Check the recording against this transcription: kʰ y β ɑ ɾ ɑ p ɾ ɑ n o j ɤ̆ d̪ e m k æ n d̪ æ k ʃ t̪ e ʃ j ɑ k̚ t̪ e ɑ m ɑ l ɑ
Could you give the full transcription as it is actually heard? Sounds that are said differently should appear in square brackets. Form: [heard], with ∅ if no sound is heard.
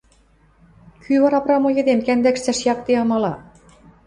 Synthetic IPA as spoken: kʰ y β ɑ ɾ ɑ p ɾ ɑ [m] o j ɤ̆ d̪ e m k æ n d̪ æ k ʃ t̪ [æ] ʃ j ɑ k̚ t̪ e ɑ m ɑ l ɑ